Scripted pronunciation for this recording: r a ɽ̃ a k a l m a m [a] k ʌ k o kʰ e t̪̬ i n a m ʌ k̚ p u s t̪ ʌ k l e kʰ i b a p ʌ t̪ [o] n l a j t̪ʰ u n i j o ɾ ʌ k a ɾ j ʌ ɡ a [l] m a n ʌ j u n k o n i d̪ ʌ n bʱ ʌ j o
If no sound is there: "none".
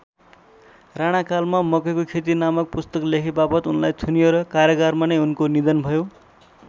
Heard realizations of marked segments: ʌ, u, r

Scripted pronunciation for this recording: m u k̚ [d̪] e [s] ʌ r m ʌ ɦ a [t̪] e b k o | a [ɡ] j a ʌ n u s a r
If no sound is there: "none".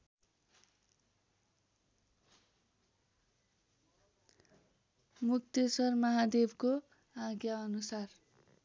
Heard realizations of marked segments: t̪, s, d̪, ɡ

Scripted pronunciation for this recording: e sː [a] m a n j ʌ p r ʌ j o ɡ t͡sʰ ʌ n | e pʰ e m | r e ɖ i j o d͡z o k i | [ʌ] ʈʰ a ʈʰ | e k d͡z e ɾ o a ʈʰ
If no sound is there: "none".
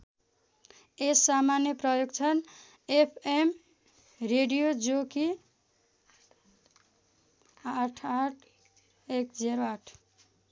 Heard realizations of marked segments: a, a

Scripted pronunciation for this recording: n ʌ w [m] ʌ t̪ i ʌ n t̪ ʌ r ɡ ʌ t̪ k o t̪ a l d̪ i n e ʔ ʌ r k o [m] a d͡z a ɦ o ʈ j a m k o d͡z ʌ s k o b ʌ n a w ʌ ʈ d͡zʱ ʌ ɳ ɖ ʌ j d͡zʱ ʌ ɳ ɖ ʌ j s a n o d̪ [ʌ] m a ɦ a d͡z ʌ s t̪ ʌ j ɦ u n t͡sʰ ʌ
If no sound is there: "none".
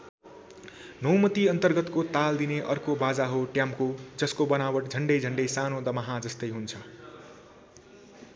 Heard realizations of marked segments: m, b, ʌ

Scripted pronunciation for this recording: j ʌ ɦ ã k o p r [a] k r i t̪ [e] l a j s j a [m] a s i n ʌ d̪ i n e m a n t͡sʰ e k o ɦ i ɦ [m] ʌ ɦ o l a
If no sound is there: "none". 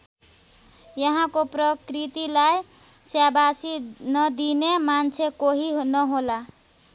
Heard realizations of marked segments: ʌ, i, b, n

